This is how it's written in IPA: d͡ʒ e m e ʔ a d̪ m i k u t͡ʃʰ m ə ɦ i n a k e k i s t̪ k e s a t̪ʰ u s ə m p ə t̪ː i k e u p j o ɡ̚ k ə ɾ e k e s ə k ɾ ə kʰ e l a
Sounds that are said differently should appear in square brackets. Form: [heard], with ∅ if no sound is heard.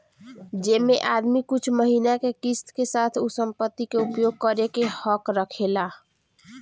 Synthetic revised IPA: d͡ʒ e m e ʔ a d̪ m i k u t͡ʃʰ m ə ɦ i n a k e k i s t̪ k e s a t̪ʰ u s ə m p ə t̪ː i k e u p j o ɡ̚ k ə ɾ e k e [h] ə k ɾ ə kʰ e l a